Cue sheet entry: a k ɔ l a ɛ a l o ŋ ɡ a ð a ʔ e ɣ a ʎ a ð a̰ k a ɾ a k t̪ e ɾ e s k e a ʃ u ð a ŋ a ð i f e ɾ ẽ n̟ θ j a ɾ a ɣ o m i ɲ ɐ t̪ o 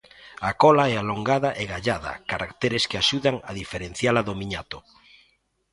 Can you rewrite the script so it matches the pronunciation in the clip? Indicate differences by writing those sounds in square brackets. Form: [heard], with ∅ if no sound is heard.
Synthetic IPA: a k ɔ l a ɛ a l o ŋ ɡ a ð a ʔ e ɣ a ʎ a ð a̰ k a ɾ a k t̪ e ɾ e s k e a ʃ u ð a ŋ a ð i f e ɾ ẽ n̟ θ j a [l] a [ð] o m i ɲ [a] t̪ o